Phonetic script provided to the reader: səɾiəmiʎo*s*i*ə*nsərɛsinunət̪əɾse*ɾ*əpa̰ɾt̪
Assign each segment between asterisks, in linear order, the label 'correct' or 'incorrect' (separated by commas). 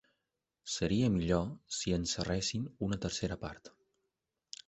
correct, correct, correct